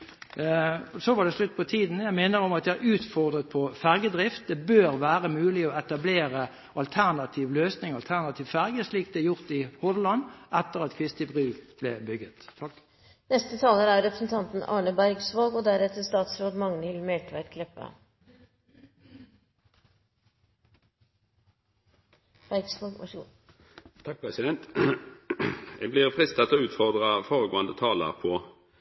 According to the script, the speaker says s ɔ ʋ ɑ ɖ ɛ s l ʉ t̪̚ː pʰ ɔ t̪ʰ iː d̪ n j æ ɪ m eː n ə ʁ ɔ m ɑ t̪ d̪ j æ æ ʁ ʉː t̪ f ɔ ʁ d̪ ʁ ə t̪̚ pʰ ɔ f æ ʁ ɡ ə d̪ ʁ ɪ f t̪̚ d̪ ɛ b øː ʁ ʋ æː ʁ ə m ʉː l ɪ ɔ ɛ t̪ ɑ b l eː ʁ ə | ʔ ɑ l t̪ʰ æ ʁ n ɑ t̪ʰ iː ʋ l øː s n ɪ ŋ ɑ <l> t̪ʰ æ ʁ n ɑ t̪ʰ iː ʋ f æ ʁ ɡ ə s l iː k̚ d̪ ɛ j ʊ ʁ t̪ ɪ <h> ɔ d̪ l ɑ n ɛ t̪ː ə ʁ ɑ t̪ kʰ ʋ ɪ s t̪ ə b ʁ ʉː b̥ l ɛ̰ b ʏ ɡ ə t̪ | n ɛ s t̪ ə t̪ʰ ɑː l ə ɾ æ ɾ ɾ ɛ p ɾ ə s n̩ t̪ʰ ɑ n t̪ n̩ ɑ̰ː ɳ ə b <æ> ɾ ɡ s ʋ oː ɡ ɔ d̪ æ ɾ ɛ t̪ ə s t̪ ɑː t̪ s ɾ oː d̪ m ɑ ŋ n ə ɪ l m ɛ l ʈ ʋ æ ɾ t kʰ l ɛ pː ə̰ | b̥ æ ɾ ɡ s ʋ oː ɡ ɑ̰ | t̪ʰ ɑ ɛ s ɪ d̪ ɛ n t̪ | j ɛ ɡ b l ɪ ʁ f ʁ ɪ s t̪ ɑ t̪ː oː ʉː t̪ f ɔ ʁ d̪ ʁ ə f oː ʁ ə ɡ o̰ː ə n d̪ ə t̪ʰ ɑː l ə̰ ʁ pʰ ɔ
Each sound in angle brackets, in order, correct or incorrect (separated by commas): correct, correct, correct